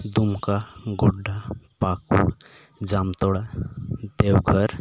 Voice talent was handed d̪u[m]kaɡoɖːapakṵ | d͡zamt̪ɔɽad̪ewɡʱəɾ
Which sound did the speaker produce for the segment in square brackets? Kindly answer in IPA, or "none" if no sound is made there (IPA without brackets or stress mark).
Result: m